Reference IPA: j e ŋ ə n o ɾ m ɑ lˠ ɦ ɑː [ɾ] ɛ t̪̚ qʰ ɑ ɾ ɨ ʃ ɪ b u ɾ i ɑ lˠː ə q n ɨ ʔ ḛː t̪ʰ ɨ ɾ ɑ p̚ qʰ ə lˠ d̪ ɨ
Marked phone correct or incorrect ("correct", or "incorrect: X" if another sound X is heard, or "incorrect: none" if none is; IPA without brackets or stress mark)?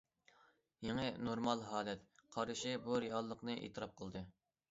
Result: incorrect: l